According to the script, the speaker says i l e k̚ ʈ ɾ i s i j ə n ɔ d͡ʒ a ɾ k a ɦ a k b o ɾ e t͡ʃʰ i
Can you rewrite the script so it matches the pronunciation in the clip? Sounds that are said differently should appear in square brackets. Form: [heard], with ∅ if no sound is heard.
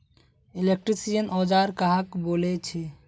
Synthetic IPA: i l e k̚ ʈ ɾ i s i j ə n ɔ d͡ʒ a ɾ k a ɦ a k b o [l] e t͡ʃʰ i